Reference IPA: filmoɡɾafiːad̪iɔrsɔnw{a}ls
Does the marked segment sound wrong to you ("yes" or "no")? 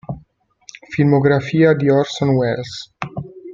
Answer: yes